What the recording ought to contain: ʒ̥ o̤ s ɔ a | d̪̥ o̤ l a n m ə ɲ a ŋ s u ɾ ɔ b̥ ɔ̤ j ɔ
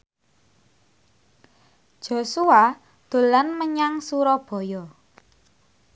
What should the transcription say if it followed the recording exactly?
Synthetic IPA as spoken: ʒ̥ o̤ s u a | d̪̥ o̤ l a n m ə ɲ a ŋ s u ɾ ɔ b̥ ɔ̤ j ɔ